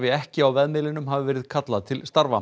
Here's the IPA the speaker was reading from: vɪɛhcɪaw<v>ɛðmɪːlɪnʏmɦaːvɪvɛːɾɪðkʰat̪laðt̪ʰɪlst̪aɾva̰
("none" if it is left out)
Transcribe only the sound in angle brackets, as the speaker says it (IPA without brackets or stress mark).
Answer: v